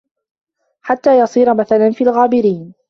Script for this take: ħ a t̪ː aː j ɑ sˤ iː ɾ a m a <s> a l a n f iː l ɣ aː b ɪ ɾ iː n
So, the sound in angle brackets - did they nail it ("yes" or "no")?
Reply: no